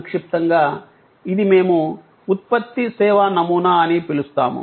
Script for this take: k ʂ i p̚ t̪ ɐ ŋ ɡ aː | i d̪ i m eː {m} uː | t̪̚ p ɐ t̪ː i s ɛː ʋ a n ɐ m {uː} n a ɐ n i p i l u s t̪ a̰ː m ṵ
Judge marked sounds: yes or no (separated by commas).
yes, yes